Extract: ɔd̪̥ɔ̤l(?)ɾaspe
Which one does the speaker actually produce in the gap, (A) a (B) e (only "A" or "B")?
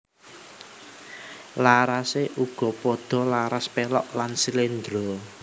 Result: A